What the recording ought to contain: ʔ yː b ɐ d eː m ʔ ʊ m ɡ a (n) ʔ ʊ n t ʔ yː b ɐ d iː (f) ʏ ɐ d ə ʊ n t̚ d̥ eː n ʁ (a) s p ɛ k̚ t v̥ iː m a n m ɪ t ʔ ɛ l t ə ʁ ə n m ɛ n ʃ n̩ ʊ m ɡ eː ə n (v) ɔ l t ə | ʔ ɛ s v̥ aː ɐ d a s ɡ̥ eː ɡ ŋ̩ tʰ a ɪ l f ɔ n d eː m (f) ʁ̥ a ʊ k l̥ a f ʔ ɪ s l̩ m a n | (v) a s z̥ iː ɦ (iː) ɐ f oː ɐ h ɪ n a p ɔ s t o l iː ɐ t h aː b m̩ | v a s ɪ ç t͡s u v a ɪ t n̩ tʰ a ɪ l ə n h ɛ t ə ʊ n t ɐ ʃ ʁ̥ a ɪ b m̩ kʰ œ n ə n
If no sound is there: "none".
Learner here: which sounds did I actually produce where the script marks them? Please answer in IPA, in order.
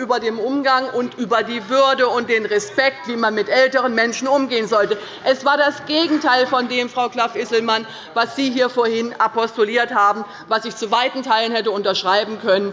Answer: ŋ, v, ɛ, z, f, v, iː

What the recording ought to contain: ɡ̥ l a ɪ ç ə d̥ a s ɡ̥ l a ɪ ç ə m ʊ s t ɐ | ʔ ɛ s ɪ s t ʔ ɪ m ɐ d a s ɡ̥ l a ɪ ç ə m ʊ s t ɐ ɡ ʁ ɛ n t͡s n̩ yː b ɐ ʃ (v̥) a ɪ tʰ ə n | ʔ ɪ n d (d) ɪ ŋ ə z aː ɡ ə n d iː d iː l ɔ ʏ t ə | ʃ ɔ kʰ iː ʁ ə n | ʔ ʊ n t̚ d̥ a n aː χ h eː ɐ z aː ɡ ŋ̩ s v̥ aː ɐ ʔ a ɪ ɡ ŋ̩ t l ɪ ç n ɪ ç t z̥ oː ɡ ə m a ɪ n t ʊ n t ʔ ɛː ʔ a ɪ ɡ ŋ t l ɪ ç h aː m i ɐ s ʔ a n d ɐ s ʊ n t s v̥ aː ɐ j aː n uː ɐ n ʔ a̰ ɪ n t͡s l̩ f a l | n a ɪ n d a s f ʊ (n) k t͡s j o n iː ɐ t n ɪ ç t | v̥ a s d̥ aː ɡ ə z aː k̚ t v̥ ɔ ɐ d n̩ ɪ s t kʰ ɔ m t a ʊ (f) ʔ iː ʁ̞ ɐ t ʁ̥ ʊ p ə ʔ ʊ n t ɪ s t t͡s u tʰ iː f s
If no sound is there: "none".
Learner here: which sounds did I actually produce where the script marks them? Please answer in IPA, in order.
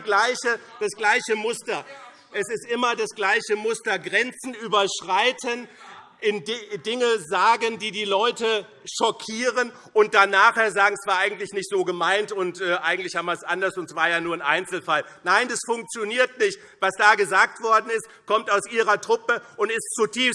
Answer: ʁ̥, d, ŋ, s

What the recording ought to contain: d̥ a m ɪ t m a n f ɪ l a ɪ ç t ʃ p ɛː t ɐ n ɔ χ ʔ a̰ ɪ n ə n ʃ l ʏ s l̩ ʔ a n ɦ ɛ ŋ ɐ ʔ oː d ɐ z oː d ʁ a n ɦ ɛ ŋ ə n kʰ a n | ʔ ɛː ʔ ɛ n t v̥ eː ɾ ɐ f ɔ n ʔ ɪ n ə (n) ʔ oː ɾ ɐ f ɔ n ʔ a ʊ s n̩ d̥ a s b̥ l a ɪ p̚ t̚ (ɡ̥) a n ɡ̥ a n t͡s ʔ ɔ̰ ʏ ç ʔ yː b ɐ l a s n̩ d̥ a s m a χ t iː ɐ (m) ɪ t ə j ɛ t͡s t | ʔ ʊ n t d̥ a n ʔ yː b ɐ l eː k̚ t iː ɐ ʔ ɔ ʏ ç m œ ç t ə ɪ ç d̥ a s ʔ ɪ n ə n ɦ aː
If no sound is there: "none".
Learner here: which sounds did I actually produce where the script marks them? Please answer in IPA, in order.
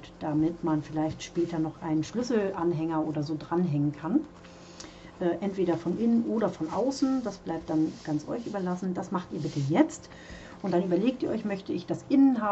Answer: n, d̥, b

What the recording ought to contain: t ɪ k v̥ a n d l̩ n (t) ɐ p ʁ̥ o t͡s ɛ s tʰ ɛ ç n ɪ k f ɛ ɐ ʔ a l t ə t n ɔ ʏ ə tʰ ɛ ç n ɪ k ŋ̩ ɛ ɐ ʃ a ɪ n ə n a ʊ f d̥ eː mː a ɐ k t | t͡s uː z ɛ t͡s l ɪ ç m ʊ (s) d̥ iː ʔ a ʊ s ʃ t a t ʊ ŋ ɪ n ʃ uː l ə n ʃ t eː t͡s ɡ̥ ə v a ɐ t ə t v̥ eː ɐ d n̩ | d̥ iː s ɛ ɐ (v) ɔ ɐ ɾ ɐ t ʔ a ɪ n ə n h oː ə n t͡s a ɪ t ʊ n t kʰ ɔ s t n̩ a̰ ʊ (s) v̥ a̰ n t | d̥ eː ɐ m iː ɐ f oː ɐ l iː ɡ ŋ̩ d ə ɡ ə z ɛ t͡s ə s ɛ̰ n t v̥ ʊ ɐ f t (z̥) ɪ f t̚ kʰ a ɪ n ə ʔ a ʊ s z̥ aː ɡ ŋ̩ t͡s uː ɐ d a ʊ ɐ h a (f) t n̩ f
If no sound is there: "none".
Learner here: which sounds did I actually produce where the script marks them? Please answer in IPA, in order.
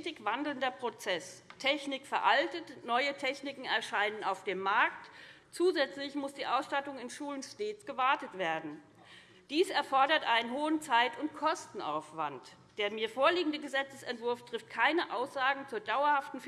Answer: d, s, f, f, ʁ̥, f

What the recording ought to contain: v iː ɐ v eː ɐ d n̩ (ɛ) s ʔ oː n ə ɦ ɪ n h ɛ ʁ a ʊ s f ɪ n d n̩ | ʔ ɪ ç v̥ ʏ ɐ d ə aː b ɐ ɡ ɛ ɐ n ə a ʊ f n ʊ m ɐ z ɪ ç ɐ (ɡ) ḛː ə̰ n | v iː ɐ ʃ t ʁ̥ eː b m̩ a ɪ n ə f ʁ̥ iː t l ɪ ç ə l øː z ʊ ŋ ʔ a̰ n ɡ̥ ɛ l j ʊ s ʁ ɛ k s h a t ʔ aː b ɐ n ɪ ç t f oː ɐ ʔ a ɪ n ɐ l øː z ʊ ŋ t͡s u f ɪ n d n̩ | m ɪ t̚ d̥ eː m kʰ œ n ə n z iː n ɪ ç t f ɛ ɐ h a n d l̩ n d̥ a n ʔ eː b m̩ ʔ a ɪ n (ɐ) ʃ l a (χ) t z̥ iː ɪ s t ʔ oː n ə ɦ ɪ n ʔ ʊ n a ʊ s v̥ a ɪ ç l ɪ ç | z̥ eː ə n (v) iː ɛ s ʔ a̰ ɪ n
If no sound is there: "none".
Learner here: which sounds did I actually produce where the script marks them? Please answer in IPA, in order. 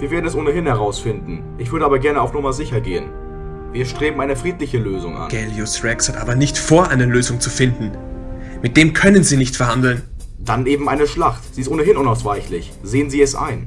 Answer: ɛ, ɡ, ə, χ, z

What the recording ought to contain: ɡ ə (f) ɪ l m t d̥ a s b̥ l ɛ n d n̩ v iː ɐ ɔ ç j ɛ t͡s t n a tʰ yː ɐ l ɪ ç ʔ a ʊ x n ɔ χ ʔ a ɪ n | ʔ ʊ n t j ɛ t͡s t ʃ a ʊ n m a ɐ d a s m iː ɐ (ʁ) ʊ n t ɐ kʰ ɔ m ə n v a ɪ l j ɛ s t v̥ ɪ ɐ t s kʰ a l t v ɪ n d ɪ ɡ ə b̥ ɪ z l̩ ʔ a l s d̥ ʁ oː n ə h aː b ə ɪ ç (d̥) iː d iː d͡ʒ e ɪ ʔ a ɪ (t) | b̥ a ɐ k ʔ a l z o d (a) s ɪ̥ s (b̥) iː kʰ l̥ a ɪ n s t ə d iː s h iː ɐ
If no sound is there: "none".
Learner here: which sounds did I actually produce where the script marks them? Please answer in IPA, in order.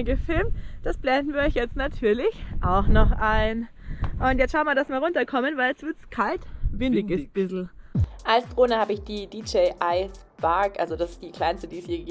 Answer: f, ʁ, d̥, s, a, d̥

